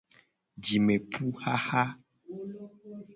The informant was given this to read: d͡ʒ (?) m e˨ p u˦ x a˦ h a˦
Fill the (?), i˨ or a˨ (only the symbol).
i˨